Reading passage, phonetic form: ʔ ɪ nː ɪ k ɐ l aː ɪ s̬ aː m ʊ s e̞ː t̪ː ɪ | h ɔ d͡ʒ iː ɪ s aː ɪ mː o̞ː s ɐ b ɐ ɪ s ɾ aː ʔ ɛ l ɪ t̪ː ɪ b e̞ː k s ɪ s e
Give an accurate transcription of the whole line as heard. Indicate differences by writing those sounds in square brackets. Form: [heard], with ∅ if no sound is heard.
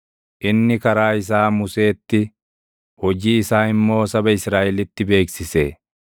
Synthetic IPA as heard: ʔ ɪ nː ɪ k ɐ [ɾ] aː ɪ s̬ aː m ʊ s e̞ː t̪ː ɪ | h ɔ d͡ʒ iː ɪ s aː ɪ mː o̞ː s ɐ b ɐ ɪ s ɾ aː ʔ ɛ l ɪ t̪ː ɪ b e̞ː k s ɪ s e